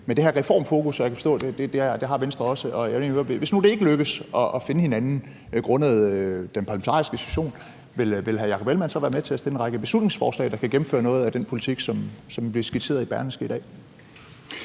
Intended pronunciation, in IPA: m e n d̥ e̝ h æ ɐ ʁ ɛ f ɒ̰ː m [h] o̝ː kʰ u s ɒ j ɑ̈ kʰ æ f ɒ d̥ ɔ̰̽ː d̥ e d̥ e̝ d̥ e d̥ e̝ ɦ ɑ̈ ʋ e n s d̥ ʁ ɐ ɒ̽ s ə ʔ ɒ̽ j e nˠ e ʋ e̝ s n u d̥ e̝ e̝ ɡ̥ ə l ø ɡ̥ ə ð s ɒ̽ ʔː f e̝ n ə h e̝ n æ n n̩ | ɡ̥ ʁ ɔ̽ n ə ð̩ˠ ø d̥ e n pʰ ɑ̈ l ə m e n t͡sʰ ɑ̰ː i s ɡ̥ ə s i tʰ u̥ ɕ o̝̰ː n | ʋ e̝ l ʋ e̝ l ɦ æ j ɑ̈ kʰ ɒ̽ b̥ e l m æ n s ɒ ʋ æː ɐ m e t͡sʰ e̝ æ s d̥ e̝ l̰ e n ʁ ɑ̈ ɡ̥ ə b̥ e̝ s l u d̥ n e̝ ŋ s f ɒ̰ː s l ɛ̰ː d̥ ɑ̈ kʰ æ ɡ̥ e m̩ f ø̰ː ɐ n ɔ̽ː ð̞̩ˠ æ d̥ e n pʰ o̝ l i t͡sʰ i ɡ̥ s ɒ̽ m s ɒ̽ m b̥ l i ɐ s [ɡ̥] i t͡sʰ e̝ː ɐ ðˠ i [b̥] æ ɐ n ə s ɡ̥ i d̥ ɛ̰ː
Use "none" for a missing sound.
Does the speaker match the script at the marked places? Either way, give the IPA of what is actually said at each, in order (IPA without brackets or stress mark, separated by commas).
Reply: f, ɡ̥, b̥